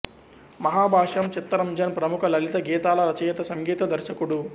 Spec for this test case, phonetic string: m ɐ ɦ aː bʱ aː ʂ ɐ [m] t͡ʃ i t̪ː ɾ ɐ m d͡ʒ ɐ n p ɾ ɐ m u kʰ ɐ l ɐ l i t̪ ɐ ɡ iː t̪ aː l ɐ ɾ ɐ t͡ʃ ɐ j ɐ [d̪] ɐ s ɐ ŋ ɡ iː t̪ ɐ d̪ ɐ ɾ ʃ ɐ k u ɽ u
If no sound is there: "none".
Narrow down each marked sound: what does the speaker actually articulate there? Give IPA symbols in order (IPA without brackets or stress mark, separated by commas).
m, t̪